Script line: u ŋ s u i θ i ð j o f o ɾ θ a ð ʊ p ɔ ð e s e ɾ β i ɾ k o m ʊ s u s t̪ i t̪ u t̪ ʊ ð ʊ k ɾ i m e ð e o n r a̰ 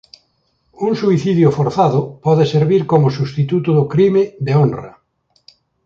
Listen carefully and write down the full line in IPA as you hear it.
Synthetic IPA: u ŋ s u i θ i ð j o f o ɾ θ a ð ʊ p ɔ ð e s e ɾ β i ɾ k o m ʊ s u s t̪ i t̪ u t̪ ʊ ð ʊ k ɾ i m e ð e o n r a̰